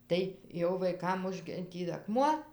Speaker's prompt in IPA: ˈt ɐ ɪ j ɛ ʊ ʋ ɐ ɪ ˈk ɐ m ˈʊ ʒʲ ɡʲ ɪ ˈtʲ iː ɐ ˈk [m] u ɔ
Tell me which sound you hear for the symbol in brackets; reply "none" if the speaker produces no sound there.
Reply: m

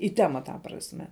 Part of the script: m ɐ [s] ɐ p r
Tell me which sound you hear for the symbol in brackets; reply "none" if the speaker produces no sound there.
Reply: t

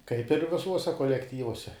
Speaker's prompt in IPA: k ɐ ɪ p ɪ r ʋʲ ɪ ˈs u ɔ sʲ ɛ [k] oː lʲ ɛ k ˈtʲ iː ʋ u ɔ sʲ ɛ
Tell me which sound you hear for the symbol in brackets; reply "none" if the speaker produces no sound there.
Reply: k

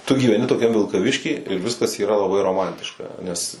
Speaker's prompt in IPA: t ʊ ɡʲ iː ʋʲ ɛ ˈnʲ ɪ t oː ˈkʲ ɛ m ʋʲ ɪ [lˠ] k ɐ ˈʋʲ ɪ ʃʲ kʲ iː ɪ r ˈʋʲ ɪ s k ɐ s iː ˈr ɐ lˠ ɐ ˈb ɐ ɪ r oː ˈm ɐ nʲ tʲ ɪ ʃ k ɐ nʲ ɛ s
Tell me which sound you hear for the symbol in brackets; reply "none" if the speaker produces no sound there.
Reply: lˠ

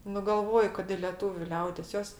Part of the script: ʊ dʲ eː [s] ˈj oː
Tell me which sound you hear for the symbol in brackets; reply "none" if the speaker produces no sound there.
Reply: s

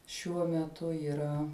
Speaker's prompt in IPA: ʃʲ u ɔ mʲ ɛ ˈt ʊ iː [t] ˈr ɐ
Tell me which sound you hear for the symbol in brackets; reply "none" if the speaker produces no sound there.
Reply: none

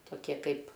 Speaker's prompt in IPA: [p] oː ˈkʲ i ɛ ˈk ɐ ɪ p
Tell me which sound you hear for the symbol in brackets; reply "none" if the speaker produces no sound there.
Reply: t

